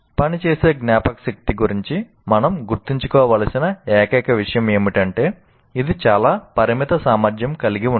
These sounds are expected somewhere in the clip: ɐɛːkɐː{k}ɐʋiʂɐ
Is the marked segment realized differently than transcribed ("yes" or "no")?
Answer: no